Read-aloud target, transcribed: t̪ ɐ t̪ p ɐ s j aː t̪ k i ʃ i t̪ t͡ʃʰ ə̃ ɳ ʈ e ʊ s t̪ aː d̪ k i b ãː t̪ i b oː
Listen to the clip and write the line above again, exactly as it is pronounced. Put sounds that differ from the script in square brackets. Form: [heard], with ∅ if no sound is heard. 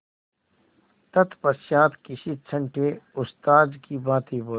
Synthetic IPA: t̪ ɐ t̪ p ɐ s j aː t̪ k i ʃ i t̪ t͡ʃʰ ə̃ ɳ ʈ e ʊ s t̪ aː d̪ k i b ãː t̪ i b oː

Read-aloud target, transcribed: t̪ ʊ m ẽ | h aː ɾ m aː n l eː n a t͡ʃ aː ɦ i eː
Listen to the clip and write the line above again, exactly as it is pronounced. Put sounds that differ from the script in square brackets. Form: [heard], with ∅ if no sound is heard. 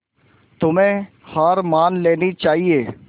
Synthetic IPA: t̪ ʊ m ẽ | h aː ɾ m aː n l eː n [i] t͡ʃ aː ɦ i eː

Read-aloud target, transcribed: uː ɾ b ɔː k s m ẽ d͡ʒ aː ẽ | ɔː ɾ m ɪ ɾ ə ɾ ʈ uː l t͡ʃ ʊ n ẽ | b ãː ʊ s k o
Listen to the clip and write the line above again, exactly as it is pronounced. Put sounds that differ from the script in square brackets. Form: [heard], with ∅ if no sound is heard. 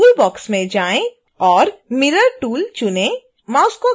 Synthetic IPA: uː [l] b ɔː k s m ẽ d͡ʒ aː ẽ | ɔː ɾ m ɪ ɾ ə ɾ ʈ uː l t͡ʃ ʊ n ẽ | [m] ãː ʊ s k o

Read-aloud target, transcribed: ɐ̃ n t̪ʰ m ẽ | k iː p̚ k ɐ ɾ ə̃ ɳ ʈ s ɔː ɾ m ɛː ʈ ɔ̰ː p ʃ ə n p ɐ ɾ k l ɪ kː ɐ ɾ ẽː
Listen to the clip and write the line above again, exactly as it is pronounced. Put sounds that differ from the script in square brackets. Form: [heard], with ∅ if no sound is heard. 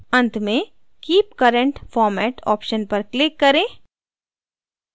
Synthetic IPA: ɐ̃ n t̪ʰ m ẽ | k iː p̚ k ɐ ɾ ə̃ ɳ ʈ [f] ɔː ɾ m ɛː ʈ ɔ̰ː p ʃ ə n p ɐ ɾ k l ɪ kː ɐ ɾ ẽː

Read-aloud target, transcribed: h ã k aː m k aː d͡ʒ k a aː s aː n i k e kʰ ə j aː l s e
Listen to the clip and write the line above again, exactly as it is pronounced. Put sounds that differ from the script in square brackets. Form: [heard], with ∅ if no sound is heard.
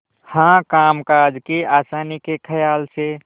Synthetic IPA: h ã k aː m k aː d͡ʒ k [e] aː s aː n i k e kʰ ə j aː l s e

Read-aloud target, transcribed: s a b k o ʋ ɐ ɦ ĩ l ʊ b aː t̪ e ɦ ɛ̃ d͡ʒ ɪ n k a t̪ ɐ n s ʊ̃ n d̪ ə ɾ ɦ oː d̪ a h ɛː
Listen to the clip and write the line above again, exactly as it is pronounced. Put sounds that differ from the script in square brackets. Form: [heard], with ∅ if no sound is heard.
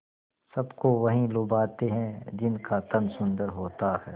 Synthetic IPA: s [ɐ] b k o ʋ ɐ ɦ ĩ l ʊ b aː t̪ e ɦ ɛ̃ d͡ʒ ɪ n k a t̪ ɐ n s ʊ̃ n d̪ ə ɾ ɦ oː [t̪] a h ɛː

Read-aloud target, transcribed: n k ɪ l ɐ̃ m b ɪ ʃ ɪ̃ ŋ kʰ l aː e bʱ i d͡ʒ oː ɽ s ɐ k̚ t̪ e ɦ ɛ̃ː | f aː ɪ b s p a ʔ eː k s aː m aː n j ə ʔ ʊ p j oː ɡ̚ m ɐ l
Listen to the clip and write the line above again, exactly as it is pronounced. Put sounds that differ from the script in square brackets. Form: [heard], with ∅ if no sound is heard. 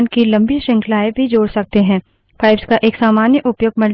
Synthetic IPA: n k [i] l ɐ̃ m b [i] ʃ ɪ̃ ŋ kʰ l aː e bʱ i d͡ʒ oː ɽ s ɐ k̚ t̪ e ɦ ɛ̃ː | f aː ɪ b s [k] a ʔ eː k s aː m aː n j ə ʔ ʊ p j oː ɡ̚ m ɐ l

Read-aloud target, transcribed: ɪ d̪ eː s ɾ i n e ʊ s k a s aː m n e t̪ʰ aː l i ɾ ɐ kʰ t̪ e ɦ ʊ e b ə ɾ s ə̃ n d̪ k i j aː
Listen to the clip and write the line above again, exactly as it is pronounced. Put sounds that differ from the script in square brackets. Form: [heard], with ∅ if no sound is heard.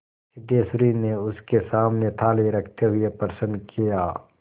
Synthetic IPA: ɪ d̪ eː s ɾ i n e ʊ s k [e] s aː m n e t̪ʰ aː l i ɾ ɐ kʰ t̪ e ɦ ʊ e [p] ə ɾ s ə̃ n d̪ k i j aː

